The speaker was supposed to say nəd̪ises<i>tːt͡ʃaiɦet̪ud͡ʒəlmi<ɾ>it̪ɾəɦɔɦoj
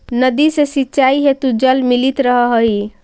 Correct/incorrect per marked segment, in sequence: correct, incorrect: l

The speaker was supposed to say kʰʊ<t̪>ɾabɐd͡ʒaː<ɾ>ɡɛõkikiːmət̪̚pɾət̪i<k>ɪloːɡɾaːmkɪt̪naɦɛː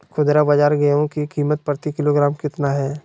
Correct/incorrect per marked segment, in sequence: incorrect: d̪, correct, correct

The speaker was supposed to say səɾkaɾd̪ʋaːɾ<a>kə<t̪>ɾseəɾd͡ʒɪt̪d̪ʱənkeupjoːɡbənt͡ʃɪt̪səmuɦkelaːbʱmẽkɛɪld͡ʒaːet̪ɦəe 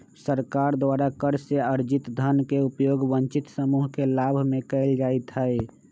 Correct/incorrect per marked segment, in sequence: correct, incorrect: none

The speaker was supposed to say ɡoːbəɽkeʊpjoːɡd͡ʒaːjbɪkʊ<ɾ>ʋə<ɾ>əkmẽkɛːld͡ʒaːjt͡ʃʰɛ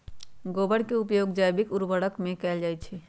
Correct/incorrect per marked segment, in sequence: correct, incorrect: ɽ

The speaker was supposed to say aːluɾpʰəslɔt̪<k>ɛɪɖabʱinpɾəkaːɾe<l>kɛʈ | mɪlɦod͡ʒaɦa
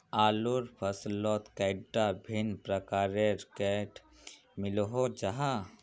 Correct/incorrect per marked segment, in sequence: correct, incorrect: ɾ

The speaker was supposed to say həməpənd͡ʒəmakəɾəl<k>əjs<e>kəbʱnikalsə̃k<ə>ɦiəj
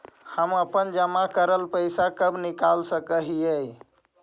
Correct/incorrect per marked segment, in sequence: incorrect: p, incorrect: a, correct

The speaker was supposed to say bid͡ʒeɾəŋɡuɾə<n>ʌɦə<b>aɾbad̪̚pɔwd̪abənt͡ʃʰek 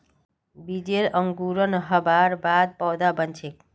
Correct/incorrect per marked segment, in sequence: correct, correct

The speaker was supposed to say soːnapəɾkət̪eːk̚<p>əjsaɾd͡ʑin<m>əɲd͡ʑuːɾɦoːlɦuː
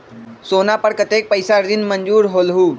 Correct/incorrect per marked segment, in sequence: correct, correct

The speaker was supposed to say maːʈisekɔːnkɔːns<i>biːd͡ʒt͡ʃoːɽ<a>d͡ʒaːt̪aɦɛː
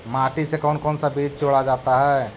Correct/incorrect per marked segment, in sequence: incorrect: a, correct

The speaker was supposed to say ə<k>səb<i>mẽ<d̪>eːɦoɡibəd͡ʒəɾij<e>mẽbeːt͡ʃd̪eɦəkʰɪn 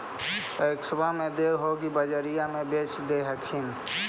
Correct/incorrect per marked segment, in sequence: correct, incorrect: a, correct, incorrect: a

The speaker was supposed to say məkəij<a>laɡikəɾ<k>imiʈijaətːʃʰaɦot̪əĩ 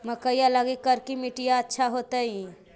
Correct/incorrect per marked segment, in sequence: correct, correct

